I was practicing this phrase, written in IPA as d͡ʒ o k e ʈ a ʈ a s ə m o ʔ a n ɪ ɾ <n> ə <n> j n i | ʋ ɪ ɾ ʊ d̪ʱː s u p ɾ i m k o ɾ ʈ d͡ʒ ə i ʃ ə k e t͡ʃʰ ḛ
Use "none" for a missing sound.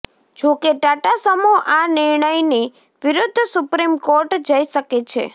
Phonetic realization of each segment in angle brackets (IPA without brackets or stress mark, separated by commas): ɳ, none